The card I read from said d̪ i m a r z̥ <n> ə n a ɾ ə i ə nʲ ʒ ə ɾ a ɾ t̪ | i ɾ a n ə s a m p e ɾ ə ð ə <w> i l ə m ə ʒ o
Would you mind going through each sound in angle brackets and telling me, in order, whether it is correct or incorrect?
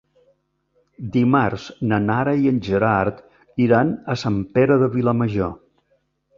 correct, incorrect: β

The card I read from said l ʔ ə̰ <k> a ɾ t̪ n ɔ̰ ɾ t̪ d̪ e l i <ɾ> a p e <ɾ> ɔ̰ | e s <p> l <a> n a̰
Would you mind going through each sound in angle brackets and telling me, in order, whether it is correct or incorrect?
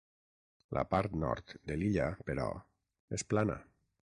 incorrect: p, incorrect: ʎ, correct, correct, correct

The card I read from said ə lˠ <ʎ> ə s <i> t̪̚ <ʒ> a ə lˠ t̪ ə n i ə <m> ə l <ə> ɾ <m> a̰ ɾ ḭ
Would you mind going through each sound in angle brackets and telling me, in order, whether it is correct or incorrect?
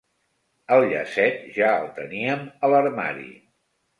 correct, incorrect: ɛ, correct, correct, correct, correct

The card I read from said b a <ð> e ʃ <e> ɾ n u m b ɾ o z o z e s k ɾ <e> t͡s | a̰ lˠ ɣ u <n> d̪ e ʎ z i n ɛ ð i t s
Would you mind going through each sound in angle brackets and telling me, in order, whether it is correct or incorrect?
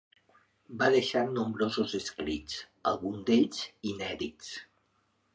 correct, incorrect: a, incorrect: i, correct

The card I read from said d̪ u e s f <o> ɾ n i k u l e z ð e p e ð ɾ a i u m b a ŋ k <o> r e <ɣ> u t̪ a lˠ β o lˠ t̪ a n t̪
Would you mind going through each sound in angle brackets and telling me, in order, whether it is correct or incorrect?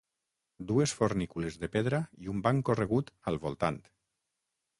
correct, correct, correct

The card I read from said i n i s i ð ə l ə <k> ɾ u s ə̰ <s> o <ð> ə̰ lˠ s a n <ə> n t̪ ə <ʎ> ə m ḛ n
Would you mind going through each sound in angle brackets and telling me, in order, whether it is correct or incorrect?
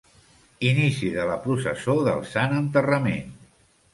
incorrect: p, correct, correct, correct, incorrect: r

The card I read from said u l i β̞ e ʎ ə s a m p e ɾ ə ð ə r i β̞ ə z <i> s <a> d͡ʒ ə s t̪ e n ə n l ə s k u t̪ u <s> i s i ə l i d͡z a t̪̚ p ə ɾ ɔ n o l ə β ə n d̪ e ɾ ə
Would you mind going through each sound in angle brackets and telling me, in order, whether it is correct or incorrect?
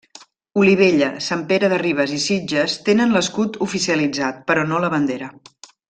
correct, incorrect: i, incorrect: f

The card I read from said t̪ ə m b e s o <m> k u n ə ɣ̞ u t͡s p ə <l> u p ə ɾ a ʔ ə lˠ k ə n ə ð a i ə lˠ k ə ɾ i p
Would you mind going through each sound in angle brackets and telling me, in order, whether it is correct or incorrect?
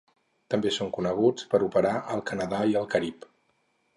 incorrect: ŋ, incorrect: ɾ

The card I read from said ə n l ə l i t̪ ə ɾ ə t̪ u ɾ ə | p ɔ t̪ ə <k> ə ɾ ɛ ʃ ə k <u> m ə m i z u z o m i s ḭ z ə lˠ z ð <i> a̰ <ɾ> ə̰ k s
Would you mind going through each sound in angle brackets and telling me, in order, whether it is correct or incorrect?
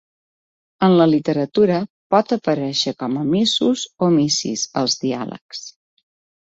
incorrect: p, incorrect: ɔ, correct, incorrect: l

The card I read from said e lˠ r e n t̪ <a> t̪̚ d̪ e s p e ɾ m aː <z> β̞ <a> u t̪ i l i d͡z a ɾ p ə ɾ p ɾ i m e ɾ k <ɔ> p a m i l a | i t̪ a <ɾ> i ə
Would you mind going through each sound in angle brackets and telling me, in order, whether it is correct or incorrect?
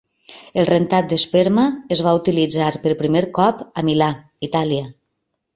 correct, correct, correct, correct, incorrect: l

